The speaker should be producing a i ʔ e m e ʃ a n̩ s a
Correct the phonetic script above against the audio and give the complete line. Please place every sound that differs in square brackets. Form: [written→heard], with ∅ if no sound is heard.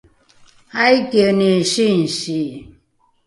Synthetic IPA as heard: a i [ʔ→k] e [m→n] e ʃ [a→i] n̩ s [a→i]